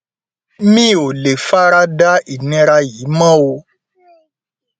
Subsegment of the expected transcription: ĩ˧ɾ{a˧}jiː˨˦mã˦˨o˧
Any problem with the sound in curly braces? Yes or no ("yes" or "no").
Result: no